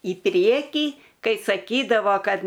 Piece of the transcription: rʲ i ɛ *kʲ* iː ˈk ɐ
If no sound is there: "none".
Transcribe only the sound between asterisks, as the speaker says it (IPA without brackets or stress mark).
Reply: kʲ